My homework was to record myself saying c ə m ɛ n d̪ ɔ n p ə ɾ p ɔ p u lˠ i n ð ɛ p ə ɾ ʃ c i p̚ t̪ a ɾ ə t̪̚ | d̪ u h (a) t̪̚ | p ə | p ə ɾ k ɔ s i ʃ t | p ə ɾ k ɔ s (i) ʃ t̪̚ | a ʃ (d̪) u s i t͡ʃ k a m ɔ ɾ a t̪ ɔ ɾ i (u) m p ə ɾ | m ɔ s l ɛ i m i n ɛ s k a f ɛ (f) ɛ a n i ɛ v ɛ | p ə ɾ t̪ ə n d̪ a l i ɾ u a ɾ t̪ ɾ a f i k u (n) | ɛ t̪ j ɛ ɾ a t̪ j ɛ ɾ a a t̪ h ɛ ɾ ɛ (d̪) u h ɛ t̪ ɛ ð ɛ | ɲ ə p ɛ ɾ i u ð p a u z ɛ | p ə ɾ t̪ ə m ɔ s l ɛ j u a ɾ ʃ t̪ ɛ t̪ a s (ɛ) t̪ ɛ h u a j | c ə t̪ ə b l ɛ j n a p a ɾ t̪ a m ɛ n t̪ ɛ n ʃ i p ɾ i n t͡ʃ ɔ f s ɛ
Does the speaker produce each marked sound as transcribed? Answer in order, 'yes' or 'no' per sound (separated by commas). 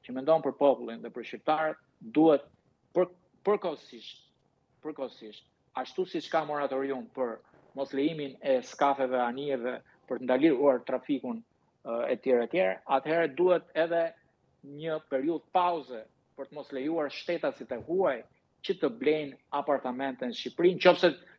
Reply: no, yes, no, yes, no, yes, yes, no